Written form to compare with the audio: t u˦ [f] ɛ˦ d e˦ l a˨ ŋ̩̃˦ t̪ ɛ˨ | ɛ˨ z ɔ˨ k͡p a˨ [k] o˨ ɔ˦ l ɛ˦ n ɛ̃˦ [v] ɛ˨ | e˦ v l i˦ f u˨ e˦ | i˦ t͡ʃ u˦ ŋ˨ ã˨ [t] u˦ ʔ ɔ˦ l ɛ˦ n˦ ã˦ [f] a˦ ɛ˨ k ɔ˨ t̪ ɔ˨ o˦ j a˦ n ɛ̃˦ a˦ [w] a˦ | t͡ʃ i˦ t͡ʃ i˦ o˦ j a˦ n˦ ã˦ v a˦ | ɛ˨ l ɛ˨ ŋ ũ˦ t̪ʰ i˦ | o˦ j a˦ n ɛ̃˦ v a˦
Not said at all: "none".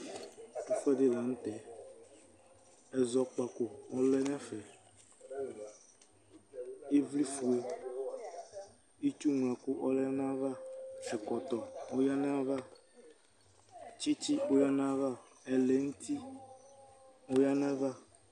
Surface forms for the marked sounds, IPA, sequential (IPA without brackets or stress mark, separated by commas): f, k, f, k, v, v